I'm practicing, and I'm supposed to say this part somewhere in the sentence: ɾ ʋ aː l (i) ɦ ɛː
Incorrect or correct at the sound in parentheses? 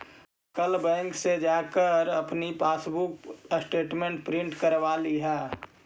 correct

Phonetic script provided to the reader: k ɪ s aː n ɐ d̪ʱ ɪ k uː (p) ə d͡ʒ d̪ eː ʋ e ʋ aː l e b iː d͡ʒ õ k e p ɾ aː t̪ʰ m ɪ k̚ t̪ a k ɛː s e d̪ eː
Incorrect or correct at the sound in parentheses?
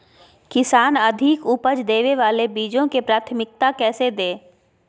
correct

